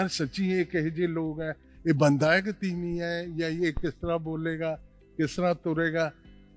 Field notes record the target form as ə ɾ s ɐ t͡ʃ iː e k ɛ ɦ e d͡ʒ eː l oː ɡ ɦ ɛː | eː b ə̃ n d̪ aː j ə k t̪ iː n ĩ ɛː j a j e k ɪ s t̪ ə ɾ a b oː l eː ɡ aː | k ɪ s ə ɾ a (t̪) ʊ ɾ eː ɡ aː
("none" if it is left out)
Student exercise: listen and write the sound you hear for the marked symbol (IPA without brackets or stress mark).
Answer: t̪